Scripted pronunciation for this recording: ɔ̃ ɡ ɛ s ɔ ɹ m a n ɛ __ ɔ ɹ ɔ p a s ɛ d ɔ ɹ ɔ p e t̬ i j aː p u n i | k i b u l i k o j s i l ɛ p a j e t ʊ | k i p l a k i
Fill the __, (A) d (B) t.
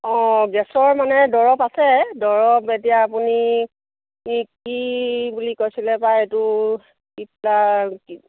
A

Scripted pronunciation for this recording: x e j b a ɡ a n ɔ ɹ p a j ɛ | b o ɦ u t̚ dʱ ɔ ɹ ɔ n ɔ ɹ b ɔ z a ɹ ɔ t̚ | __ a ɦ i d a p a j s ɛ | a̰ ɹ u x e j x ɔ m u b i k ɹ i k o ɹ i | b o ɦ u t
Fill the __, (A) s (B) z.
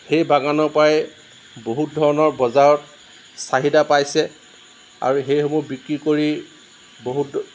A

